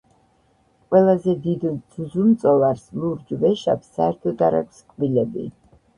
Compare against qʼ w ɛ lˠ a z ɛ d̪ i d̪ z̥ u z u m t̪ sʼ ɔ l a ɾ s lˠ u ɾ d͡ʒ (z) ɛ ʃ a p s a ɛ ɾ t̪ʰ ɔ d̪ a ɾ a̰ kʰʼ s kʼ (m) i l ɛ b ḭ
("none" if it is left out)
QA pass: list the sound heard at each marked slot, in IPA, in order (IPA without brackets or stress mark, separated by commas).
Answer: v, b